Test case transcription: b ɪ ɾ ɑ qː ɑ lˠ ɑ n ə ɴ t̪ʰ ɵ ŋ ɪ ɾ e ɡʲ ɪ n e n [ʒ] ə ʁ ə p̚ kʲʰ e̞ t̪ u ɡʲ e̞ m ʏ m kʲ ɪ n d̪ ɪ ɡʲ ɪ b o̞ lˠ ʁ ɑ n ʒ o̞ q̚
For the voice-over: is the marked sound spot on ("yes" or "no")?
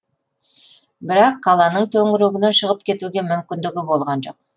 no